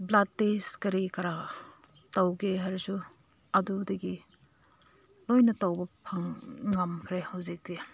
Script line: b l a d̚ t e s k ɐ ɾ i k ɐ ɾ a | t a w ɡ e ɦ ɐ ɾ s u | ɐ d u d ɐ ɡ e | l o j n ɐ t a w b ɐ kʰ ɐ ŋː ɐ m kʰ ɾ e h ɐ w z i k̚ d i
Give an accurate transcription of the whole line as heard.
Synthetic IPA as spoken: b l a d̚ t e s k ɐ ɾ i k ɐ ɾ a | t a w ɡ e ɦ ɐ ɾ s u | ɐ d u d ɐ ɡ i | l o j n ɐ t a w b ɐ pʰ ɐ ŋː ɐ m kʰ ɾ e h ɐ w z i k̚ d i